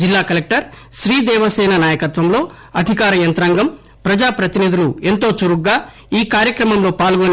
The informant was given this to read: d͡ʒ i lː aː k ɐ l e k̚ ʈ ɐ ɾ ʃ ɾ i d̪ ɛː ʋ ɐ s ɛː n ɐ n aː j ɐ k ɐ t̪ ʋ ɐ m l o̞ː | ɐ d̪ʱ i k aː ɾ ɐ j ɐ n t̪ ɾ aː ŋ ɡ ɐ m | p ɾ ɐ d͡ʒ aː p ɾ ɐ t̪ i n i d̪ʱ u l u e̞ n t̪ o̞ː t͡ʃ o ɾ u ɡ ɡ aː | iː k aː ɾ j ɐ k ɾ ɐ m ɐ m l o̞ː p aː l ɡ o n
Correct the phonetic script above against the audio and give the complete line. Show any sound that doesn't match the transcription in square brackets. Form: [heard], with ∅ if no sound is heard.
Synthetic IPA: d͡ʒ i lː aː k ɐ l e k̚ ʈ ɐ ɾ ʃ ɾ [iː] d̪ ɛː ʋ ɐ s ɛː n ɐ n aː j ɐ k ɐ t̪ ʋ ɐ m l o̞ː | ɐ d̪ʱ i k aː ɾ ɐ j ɐ n t̪ ɾ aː ŋ ɡ ɐ m | p ɾ ɐ d͡ʒ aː p ɾ ɐ t̪ i n i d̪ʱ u l u e̞ n t̪ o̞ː t͡ʃ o ɾ u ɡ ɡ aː | iː k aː ɾ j ɐ k ɾ ɐ m ɐ m l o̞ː p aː l ɡ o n